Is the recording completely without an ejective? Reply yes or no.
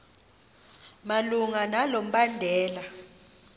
yes